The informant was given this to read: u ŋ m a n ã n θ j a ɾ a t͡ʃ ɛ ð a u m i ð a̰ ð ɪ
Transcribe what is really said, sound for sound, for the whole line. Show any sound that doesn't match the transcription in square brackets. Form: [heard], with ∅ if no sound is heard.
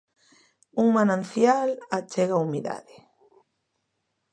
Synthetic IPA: u ŋ m a n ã n θ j a [l] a t͡ʃ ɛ [ɣ] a u m i ð a̰ ð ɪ